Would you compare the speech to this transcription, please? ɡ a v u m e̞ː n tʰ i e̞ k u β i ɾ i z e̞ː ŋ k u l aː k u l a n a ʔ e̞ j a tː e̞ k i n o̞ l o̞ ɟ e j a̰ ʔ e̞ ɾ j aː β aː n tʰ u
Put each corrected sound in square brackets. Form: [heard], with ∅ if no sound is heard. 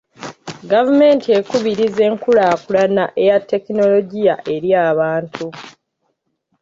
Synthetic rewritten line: ɡ a v u m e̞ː n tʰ i e̞ k u β i ɾ i z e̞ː ŋ k u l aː k u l a n a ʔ e̞ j a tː e̞ k i n o̞ l o̞ ɟ [i] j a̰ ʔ e̞ ɾ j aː β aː n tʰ u